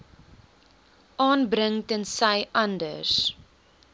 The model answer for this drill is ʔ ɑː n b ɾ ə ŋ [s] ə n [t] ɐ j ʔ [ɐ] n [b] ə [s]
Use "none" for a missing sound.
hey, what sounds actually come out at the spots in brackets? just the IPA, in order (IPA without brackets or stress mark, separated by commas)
t, s, ɐ, d, s